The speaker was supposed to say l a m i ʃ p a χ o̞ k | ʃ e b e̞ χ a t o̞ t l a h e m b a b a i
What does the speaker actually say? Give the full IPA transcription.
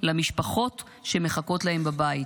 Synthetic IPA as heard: l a m i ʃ p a χ o̞ t | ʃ e m e̞ χ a k o̞ t l a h e m b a b a i